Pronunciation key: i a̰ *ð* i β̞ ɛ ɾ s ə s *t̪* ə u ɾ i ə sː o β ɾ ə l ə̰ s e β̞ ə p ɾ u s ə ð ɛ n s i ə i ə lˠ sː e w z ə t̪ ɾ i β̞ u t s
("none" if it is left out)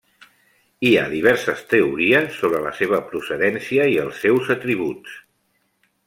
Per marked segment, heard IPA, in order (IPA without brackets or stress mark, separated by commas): ð, t̪